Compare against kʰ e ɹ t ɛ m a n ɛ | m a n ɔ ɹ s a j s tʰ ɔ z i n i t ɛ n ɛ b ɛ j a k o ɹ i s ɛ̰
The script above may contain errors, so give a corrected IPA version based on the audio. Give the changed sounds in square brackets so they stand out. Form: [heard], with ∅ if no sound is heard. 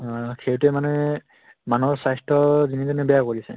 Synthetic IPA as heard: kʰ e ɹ t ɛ m a n ɛ | m a n ɔ ɹ s a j s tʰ ɔ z i n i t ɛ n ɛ b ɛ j a k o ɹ i s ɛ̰